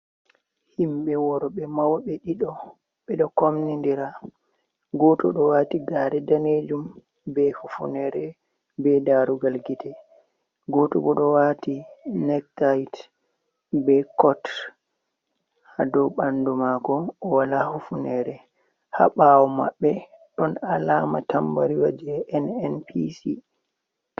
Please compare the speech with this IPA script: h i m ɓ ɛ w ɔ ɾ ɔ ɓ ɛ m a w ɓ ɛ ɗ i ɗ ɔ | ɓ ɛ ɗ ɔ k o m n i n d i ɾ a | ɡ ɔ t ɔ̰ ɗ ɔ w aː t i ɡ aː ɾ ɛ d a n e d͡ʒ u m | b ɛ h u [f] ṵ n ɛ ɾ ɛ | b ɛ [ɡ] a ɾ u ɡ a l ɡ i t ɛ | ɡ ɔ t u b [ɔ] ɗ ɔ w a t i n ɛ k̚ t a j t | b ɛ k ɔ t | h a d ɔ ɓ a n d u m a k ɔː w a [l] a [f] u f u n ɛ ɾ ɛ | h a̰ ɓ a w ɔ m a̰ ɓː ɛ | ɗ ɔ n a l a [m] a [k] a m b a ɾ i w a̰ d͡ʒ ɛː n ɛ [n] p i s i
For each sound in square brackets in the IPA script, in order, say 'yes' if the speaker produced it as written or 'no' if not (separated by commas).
yes, no, yes, yes, no, yes, no, yes